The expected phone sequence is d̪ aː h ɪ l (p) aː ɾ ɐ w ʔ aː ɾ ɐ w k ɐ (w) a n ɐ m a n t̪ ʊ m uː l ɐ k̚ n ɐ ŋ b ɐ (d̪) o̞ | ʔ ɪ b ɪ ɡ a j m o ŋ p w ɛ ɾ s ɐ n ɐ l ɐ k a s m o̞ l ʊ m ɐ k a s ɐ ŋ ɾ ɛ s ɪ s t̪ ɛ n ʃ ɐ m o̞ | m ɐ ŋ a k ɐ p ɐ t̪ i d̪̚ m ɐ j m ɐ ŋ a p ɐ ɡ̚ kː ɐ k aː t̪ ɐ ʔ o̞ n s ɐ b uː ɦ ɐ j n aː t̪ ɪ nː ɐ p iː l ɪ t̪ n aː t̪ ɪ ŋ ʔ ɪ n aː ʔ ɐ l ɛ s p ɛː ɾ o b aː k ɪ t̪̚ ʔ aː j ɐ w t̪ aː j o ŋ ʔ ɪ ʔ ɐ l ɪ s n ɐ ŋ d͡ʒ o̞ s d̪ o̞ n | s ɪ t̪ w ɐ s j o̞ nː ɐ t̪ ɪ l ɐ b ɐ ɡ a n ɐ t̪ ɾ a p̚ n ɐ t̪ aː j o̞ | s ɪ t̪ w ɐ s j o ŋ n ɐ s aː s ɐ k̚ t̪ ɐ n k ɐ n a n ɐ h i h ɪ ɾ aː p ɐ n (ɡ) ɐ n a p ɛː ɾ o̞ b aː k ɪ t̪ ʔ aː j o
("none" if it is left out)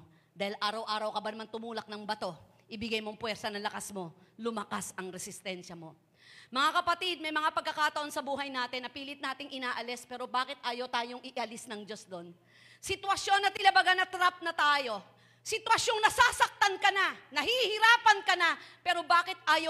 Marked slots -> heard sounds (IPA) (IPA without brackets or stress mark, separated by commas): ʔ, b, t̪, k